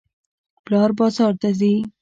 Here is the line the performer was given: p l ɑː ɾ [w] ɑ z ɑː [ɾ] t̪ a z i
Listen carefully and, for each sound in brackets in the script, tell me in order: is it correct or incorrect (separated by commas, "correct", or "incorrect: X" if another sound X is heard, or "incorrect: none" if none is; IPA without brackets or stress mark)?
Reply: incorrect: b, correct